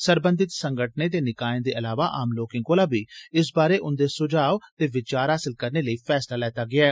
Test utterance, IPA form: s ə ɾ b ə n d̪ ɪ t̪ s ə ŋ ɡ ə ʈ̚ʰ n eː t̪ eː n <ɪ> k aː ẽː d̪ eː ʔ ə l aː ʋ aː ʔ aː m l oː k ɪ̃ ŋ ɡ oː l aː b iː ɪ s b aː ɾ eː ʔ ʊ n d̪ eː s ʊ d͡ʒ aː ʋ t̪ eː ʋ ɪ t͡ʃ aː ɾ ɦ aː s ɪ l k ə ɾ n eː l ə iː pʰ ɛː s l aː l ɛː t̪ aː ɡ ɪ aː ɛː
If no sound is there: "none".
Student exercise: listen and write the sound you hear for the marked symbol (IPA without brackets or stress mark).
ɪ